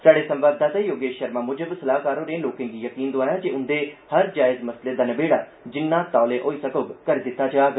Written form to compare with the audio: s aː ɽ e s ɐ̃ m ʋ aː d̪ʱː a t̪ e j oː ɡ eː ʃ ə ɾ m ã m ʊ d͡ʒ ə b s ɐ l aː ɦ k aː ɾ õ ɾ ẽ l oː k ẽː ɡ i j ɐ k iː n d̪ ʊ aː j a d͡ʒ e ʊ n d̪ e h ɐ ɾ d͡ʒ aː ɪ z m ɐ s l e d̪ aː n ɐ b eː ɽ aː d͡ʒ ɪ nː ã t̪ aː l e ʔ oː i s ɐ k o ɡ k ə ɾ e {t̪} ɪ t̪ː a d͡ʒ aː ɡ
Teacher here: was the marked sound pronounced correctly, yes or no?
no